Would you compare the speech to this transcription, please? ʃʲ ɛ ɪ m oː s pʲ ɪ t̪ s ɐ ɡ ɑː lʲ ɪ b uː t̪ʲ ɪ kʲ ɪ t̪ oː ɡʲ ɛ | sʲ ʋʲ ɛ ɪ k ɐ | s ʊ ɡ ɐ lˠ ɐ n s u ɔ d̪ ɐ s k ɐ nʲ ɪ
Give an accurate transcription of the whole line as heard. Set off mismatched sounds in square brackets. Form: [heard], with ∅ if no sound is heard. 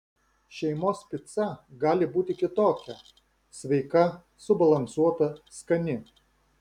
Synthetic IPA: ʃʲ ɛ ɪ m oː s pʲ ɪ t̪ s ɐ ɡ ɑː lʲ ɪ b uː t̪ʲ ɪ kʲ ɪ t̪ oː [kʲ] ɛ | sʲ ʋʲ ɛ ɪ k ɐ | s ʊ [b] ɐ lˠ ɐ n s u ɔ [t̪] ɐ s k ɐ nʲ ɪ

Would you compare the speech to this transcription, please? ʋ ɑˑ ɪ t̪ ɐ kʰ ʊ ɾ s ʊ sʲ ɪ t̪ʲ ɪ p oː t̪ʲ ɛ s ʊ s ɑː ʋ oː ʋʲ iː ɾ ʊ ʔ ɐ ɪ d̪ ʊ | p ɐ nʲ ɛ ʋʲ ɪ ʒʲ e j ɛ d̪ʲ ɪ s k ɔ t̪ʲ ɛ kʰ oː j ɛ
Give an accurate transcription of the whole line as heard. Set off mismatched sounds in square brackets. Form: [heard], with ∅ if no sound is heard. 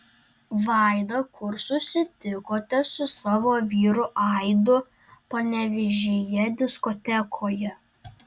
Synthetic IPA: ʋ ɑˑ ɪ [d̪] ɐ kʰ ʊ ɾ s ʊ sʲ ɪ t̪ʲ ɪ [k] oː t̪ʲ ɛ s ʊ s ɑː ʋ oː ʋʲ iː ɾ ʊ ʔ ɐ ɪ d̪ ʊ | p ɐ nʲ ɛ ʋʲ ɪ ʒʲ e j ɛ d̪ʲ ɪ s k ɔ t̪ʲ ɛ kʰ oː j ɛ

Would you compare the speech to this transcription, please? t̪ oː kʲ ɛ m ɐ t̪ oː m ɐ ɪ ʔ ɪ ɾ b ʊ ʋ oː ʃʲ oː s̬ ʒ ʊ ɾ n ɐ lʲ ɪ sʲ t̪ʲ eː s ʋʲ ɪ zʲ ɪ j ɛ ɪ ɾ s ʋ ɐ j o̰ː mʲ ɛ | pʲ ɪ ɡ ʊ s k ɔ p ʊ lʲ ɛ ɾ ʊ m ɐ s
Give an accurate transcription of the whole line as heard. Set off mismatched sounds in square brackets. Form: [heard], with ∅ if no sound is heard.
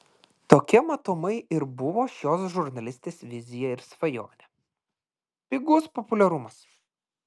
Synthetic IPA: t̪ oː kʲ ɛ m ɐ t̪ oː m ɐ ɪ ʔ ɪ ɾ b ʊ ʋ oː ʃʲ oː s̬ ʒ ʊ ɾ n ɐ lʲ ɪ sʲ t̪ʲ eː s ʋʲ ɪ zʲ ɪ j ɛ ɪ ɾ s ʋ ɐ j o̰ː [nʲ] ɛ | pʲ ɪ ɡ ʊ s [p] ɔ p ʊ lʲ ɛ ɾ ʊ m ɐ s

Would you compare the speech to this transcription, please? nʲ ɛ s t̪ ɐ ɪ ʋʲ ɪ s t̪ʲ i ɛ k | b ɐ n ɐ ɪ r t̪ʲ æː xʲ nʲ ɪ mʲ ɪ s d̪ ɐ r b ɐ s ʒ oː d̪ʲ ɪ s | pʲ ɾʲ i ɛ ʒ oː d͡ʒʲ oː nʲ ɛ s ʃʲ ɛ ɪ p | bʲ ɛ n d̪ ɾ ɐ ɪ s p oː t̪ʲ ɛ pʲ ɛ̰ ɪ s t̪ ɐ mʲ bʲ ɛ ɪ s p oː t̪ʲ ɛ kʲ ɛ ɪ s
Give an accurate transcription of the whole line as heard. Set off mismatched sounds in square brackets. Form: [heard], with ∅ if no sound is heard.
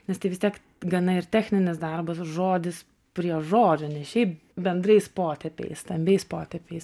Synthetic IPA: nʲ ɛ s t̪ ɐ ɪ ʋʲ ɪ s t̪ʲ i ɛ k | [ɡ] ɐ n ɐ ɪ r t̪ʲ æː xʲ nʲ ɪ [nʲ] ɪ s d̪ ɐ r b ɐ s ʒ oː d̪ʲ ɪ s | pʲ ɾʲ i ɛ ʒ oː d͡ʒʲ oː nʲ ɛ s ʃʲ ɛ ɪ p | bʲ ɛ n d̪ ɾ ɐ ɪ s p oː t̪ʲ ɛ pʲ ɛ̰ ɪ s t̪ ɐ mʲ bʲ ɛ ɪ s p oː t̪ʲ ɛ [pʲ] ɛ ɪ s

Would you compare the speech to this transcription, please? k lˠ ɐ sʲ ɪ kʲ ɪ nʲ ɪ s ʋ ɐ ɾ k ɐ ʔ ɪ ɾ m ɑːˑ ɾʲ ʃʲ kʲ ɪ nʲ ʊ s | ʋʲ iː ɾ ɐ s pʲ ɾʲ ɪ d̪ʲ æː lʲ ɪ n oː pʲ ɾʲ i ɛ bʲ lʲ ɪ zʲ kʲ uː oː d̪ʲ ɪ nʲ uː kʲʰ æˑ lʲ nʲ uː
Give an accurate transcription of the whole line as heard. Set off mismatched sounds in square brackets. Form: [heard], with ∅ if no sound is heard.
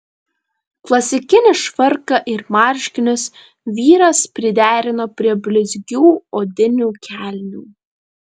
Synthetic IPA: k lˠ ɐ sʲ ɪ kʲ ɪ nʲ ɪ [ʃ] ʋ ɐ ɾ k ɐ ʔ ɪ ɾ m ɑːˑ ɾʲ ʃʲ kʲ ɪ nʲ ʊ s | ʋʲ iː ɾ ɐ s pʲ ɾʲ ɪ d̪ʲ æː [ɾʲ] ɪ n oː pʲ ɾʲ i ɛ bʲ lʲ ɪ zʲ [ɡʲ] uː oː d̪ʲ ɪ nʲ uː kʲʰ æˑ lʲ nʲ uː

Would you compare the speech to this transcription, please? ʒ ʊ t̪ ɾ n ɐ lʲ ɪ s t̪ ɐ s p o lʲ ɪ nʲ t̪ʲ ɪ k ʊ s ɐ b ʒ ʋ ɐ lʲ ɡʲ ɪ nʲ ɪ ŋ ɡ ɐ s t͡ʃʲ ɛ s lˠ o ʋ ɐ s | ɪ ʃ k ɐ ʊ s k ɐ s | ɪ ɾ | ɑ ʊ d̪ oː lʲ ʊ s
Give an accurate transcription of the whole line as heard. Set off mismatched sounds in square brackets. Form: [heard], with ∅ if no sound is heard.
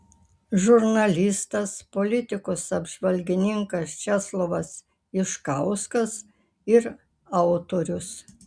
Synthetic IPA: ʒ ʊ [∅] ɾ n ɐ lʲ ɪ s t̪ ɐ s p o lʲ ɪ [∅] t̪ʲ ɪ k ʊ s ɐ b ʒ ʋ ɐ lʲ ɡʲ ɪ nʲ ɪ ŋ [k] ɐ s t͡ʃʲ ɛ s lˠ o ʋ ɐ s | ɪ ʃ k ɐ ʊ s k ɐ s | ɪ ɾ | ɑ ʊ [t̪] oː [ɾʲ] ʊ s

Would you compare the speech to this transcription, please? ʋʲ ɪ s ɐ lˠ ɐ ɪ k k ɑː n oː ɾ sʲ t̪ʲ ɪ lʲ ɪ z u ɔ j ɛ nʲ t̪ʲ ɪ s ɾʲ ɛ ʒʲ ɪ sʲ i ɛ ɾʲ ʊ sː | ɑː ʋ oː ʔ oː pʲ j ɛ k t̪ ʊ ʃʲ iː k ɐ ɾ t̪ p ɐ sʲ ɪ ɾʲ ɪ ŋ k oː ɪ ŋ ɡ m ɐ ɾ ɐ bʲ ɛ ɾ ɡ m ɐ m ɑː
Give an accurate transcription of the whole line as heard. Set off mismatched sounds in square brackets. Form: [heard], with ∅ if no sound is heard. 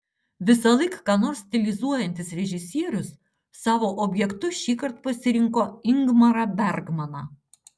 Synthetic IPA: ʋʲ ɪ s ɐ lˠ ɐ ɪ k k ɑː n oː ɾ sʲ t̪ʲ ɪ lʲ ɪ z u ɔ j ɛ nʲ t̪ʲ ɪ s ɾʲ ɛ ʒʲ ɪ sʲ i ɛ ɾʲ ʊ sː | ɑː ʋ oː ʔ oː [bʲ] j ɛ k t̪ ʊ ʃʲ iː k ɐ ɾ t̪ p ɐ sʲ ɪ ɾʲ ɪ ŋ k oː ɪ ŋ ɡ m ɐ ɾ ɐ bʲ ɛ ɾ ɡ m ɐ [n] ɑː

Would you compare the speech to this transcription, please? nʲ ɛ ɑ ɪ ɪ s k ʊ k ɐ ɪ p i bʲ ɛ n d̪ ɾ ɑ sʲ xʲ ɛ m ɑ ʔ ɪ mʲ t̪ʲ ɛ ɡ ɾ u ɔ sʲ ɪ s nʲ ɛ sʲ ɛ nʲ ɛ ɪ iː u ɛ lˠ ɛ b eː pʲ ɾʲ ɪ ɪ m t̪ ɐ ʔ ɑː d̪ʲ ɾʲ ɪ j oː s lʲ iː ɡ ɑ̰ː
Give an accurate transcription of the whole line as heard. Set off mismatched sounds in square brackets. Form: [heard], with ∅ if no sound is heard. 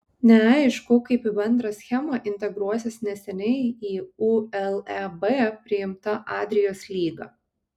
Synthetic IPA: nʲ ɛ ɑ ɪ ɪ [ʃ] k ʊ k ɐ ɪ p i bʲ ɛ n d̪ ɾ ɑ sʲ xʲ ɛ m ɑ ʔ ɪ [nʲ] t̪ʲ ɛ ɡ ɾ u ɔ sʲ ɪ s nʲ ɛ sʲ ɛ nʲ ɛ ɪ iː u ɛ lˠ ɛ b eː pʲ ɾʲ ɪ ɪ m t̪ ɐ ʔ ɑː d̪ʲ ɾʲ ɪ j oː s lʲ iː ɡ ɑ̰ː

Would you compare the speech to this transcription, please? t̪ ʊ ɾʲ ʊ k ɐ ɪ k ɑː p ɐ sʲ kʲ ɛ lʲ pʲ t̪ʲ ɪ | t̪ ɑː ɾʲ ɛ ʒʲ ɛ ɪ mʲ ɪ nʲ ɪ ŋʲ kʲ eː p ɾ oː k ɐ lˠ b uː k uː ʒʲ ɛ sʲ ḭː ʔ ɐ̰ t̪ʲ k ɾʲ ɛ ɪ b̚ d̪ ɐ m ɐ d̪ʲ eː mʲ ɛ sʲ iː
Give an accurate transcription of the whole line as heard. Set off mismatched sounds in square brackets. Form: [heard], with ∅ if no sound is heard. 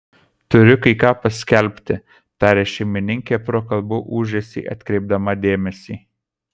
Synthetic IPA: t̪ ʊ ɾʲ ʊ k ɐ ɪ k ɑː p ɐ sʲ kʲ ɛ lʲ pʲ t̪ʲ ɪ | t̪ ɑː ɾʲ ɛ [ʃʲ] ɛ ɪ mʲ ɪ nʲ ɪ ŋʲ kʲ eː p ɾ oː k ɐ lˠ b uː [ʔ] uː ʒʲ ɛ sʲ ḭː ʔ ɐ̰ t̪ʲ k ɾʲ ɛ ɪ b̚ d̪ ɐ m ɐ d̪ʲ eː mʲ ɛ sʲ iː

